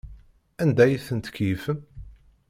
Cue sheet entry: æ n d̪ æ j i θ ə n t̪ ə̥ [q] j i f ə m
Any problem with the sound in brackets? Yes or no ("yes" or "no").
yes